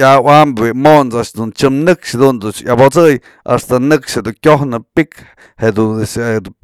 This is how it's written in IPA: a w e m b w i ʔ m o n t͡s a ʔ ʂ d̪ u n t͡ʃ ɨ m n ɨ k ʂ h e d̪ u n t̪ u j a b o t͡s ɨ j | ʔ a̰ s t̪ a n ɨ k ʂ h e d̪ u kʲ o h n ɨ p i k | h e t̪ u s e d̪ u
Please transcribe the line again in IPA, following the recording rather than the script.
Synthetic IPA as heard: a w a m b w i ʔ m o n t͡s a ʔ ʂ d̪ u n t͡ʃ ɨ m n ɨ k ʂ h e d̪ u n d̪ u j a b o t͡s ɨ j | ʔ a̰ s t̪ a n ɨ k ʂ h e d̪ u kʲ o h n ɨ p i k | h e d̪ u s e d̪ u